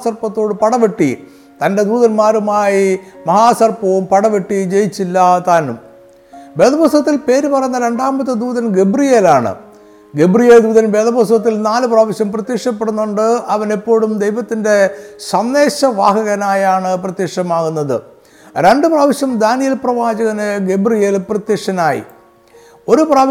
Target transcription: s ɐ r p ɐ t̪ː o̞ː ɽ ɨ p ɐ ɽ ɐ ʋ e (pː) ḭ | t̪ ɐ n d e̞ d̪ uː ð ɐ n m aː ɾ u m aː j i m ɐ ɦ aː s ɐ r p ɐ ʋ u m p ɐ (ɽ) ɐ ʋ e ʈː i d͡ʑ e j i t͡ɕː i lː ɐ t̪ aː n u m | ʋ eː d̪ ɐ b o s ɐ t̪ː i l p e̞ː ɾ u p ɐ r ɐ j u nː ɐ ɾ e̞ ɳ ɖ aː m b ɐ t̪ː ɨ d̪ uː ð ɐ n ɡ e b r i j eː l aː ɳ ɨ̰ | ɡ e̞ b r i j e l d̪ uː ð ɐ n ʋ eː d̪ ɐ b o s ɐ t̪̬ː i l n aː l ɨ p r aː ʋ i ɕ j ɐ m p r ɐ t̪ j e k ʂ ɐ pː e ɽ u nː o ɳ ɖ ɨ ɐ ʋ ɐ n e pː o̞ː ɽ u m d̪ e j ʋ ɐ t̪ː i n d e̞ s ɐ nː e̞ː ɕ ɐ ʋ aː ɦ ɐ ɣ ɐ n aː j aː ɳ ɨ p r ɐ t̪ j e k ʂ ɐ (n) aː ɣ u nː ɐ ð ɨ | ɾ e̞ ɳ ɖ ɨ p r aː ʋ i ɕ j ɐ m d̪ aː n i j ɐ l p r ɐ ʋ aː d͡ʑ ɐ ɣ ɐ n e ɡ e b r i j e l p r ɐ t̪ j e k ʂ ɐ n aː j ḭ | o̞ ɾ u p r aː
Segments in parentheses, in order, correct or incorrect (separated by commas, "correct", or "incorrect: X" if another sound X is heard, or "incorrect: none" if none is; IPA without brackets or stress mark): incorrect: ʈː, correct, incorrect: m